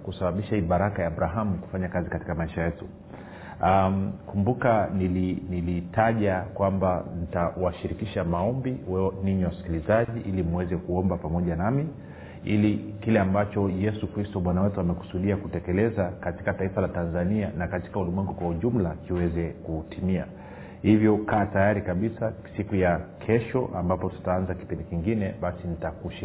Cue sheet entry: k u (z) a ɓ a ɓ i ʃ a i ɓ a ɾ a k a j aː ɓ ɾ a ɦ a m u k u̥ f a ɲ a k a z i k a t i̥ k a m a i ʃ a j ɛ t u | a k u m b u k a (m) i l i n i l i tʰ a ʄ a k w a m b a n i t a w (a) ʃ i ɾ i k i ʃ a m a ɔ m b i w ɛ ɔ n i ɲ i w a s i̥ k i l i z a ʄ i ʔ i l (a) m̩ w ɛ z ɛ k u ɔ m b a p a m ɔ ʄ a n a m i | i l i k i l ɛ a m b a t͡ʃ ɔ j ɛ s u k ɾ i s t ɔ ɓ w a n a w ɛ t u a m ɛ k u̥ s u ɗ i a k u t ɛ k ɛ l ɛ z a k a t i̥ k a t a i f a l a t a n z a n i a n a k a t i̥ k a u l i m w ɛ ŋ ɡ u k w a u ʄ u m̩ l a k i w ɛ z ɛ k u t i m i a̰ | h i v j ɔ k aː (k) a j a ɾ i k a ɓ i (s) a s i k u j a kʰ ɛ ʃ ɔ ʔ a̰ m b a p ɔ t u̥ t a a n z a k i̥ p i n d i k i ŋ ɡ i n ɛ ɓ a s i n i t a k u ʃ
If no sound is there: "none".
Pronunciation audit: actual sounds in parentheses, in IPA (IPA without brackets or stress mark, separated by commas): s, n, a, i, t, s